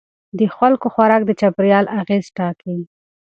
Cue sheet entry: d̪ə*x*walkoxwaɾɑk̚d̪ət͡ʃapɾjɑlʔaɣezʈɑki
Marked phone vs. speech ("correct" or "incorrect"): correct